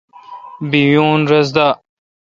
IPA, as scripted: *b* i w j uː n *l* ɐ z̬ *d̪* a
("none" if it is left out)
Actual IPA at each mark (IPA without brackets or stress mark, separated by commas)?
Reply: b, ɾ, d̪